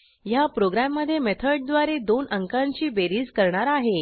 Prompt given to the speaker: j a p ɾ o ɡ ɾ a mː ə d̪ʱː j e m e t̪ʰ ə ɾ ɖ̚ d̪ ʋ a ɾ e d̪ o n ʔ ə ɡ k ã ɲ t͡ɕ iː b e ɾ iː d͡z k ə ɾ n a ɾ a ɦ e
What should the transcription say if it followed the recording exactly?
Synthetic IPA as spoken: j a p ɾ o ɡ ɾ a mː ə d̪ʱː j e m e t̪ʰ ə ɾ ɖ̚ d̪ ʋ a ɾ e d̪ o n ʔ ə ŋ k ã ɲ t͡ɕ iː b e ɾ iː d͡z k ə ɾ ɳ a ɾ a ɦ e